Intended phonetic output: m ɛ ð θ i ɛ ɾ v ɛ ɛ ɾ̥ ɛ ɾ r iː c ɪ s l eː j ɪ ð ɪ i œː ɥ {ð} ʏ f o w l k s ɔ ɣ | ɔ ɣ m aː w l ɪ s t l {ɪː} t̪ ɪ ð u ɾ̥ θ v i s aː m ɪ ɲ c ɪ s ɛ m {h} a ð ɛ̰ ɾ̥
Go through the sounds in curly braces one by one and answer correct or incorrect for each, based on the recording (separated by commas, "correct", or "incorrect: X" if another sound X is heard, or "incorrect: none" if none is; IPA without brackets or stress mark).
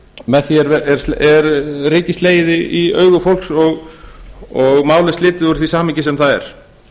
incorrect: ɣ, correct, incorrect: θ